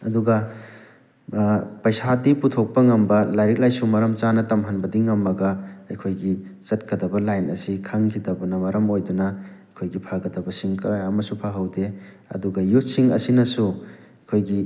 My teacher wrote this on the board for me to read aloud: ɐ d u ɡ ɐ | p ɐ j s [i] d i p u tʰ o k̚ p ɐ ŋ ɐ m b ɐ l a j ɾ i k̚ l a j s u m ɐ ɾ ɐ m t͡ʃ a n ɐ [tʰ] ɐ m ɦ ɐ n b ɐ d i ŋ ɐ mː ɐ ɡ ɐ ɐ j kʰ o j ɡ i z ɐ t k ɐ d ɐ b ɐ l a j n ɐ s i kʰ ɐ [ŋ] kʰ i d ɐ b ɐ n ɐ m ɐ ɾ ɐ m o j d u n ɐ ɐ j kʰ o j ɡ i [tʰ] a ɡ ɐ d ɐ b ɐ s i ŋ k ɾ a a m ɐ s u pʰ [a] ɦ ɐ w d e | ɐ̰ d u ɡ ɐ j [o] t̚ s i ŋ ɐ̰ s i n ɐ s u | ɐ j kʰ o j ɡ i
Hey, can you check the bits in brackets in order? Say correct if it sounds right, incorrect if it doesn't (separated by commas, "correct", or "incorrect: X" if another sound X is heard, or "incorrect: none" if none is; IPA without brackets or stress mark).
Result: incorrect: a, incorrect: t, correct, incorrect: pʰ, correct, incorrect: u